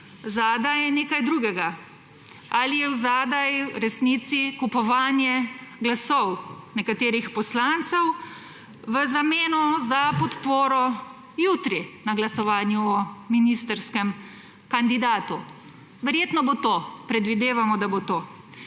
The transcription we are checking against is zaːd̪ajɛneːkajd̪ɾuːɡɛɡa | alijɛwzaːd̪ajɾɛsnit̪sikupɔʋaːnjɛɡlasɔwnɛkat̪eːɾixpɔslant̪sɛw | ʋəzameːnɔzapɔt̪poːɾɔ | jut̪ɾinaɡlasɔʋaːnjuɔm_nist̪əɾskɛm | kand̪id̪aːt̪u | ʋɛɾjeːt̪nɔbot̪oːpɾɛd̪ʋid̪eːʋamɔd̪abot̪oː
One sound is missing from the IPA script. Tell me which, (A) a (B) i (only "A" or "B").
B